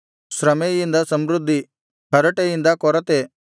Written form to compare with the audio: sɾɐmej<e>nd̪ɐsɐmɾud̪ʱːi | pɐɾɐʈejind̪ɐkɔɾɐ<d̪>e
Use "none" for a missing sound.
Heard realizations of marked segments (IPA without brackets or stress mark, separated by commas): i, t̪